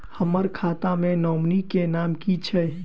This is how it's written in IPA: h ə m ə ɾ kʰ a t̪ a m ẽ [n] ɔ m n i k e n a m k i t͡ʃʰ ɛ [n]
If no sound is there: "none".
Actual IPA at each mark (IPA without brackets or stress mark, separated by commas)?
n, none